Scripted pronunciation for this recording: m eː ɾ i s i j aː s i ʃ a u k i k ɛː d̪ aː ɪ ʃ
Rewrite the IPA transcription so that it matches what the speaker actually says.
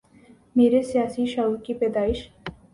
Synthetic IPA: m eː ɾ e s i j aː s i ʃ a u k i p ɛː d̪ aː ɪ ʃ